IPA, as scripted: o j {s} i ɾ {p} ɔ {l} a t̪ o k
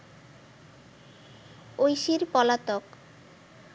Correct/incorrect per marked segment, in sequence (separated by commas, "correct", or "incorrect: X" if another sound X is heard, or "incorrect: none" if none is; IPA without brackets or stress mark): incorrect: ʃ, correct, correct